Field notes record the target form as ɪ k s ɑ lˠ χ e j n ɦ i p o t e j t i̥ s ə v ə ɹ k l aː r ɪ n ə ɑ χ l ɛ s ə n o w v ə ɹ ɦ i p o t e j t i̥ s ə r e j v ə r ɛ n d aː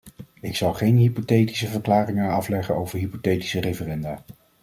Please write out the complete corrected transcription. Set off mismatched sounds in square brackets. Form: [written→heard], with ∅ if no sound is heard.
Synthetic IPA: ɪ k s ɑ lˠ χ e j n ɦ i p o t e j t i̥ s ə v ə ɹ k l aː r ɪ [n→ŋ] ə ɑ [χ→f] l ɛ [s→χ] ə n o w v ə ɹ ɦ i p o t e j t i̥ s ə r e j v ə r ɛ n d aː

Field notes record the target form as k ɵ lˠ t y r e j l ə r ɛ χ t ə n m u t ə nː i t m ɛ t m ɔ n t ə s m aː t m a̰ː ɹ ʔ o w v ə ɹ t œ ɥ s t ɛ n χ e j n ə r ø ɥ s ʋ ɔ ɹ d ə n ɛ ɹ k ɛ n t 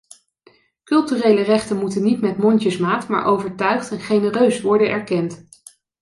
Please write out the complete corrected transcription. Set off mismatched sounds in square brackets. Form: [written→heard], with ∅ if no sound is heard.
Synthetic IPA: k ɵ lˠ t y r e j l ə r ɛ χ t ə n m u t ə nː i t m ɛ t m ɔ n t ə s m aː t m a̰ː ɹ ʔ o w v ə ɹ t œ ɥ [s→χ] t ɛ n χ e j n ə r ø ɥ s ʋ ɔ ɹ d ə n ɛ ɹ k ɛ n t

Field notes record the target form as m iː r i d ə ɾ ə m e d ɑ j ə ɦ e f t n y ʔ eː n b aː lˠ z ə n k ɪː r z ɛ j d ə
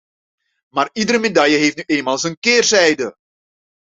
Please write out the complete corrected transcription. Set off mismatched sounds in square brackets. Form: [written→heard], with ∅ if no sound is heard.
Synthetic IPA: m [iː→aː] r i d ə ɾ ə m e d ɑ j ə ɦ e f t n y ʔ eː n [b→m] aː lˠ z ə n k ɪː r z ɛ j d ə

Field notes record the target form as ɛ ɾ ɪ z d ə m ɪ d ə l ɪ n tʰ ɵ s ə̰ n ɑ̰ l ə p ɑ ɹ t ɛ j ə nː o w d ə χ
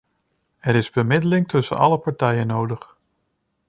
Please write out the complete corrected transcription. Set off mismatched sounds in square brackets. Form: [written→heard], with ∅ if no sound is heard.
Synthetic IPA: ɛ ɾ ɪ z [d→b] ə m ɪ d ə l ɪ [n→ŋ] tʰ ɵ s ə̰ n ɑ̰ l ə p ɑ ɹ t ɛ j ə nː o w d ə χ

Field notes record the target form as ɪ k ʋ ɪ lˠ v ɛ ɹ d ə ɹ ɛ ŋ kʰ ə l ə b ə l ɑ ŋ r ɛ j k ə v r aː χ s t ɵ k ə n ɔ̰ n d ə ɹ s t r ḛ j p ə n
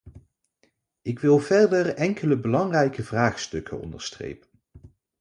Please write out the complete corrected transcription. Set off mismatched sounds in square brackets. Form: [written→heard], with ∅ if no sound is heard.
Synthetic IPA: ɪ k ʋ ɪ lˠ v ɛ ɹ d ə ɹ ɛ ŋ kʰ ə l ə b ə l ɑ ŋ r ɛ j k ə v r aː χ s t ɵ k ə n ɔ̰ n d ə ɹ s t r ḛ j p ə n

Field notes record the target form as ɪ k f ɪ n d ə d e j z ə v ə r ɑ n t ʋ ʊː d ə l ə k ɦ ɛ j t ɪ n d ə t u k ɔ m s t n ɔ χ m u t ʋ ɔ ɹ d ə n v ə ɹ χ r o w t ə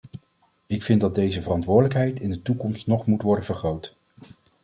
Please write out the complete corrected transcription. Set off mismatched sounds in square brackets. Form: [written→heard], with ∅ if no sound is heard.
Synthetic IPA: ɪ k f ɪ n d [ə→ɑ] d e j z ə v ə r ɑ n t ʋ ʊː d ə l ə k ɦ ɛ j t ɪ n d ə t u k ɔ m s t n ɔ χ m u t ʋ ɔ ɹ d ə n v ə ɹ χ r o w t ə

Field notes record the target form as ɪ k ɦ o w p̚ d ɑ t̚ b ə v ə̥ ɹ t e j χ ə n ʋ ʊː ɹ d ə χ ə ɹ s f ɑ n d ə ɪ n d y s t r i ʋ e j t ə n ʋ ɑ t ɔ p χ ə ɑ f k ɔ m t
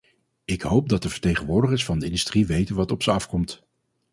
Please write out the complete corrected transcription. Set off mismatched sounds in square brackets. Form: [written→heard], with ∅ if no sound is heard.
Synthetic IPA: ɪ k ɦ o w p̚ d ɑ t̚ [b→d] ə v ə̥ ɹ t e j χ ə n ʋ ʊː ɹ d ə χ ə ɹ s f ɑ n d ə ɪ n d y s t r i ʋ e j t ə n ʋ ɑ t ɔ p [χ→s] ə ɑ f k ɔ m t

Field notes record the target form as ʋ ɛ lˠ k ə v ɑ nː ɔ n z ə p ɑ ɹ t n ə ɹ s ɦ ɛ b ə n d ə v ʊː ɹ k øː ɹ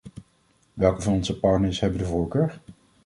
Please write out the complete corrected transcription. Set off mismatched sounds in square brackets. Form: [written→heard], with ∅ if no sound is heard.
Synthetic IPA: ʋ ɛ lˠ k ə v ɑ [nː→n] ɔ n z ə p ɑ ɹ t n ə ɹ s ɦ ɛ b ə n d ə v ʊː ɹ k øː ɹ

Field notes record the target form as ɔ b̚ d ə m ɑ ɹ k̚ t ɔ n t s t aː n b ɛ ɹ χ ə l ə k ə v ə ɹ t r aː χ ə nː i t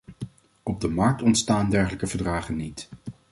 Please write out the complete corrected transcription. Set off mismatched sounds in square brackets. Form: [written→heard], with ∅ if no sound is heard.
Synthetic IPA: ɔ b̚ d ə m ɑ ɹ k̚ t ɔ n t s t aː n [b→d] ɛ ɹ χ ə l ə k ə v ə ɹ [t→d] r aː χ ə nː i t

